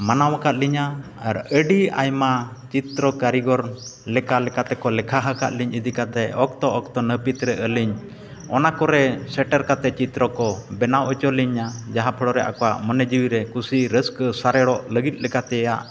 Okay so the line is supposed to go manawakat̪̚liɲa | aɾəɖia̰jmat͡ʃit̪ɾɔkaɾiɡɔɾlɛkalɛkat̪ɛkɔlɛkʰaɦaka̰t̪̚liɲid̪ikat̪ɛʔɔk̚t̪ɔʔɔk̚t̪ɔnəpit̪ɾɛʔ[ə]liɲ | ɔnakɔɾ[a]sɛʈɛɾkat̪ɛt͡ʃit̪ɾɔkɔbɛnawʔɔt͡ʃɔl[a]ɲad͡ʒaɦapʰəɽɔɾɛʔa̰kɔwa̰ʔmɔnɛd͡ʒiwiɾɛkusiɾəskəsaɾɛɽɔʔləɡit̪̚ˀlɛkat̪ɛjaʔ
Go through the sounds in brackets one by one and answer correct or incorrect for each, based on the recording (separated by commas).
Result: correct, incorrect, incorrect